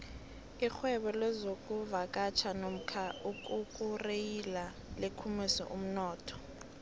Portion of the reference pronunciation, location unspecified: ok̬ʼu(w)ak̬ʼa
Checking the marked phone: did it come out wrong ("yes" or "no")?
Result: yes